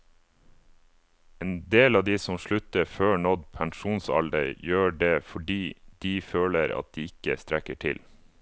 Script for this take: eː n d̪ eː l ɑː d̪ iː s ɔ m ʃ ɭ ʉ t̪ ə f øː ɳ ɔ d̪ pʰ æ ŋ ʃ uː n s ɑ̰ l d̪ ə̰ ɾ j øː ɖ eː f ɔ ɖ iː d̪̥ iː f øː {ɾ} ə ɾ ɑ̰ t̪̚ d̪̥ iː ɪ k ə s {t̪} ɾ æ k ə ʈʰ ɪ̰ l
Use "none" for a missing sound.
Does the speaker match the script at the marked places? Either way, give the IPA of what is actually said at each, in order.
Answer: l, t̪

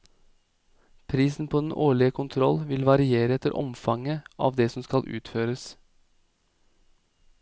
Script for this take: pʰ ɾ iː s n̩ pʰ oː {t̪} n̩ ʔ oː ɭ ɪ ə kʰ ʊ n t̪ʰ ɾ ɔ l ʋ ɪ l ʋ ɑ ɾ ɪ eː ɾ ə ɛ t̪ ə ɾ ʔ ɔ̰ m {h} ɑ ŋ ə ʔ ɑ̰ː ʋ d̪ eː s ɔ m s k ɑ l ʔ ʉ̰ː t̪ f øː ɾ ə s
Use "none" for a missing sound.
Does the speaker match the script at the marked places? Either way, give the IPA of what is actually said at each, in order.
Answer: d̪, f

